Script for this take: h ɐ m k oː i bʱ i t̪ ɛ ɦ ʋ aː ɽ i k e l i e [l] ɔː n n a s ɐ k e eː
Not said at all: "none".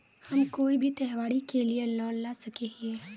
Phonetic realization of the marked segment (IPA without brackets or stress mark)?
l